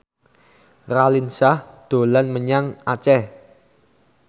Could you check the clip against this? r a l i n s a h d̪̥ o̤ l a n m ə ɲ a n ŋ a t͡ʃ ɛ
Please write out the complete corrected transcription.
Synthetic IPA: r a l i n s a h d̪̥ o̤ l a n m ə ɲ a ŋ a t͡ʃ ɛ